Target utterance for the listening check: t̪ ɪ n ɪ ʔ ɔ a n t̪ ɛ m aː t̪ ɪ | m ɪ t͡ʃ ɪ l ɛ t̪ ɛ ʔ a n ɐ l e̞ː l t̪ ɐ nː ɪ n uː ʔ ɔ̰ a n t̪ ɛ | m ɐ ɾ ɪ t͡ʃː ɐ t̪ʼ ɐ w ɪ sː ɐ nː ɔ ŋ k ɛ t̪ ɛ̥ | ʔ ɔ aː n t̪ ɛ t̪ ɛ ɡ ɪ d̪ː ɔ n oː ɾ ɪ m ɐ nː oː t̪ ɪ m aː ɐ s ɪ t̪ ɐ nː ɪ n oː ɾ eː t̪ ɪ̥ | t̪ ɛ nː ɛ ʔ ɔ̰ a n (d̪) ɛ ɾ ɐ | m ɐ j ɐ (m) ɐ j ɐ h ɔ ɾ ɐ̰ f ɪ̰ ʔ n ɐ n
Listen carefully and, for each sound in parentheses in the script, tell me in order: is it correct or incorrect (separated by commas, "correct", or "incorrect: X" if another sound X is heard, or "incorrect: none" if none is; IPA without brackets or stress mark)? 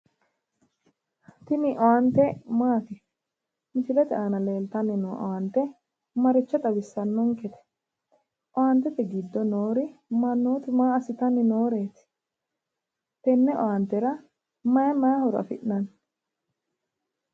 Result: incorrect: t̪, correct